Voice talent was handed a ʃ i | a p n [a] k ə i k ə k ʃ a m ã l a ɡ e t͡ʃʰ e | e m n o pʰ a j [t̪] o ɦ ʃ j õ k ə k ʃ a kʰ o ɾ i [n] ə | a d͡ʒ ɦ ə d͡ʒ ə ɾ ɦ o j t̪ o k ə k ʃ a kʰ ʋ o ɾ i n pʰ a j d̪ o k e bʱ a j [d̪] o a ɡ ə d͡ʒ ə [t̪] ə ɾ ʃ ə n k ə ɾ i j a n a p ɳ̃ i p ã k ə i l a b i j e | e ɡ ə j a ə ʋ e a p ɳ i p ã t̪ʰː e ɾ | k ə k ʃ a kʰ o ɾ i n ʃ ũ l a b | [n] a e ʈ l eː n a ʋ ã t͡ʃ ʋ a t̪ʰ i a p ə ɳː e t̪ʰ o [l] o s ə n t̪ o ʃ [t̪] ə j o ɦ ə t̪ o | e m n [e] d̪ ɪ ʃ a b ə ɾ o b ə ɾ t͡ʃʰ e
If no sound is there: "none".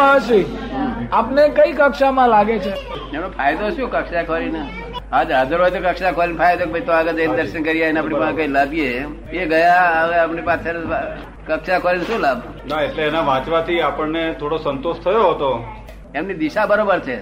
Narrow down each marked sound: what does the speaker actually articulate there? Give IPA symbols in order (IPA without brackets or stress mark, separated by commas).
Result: e, d̪, n, t̪, d̪, n, ɽ, t̪ʰ, i